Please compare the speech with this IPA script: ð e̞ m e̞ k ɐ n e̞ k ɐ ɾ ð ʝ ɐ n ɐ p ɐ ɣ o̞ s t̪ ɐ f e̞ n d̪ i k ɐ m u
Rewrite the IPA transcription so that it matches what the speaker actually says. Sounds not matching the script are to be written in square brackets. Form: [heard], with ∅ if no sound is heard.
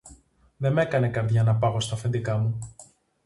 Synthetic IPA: ð e̞ m e̞ k ɐ n e̞ k ɐ ɾ ð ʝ ɐ n ɐ p ɐ ɣ o̞ s t̪ ɐ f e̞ n d̪ i k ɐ m u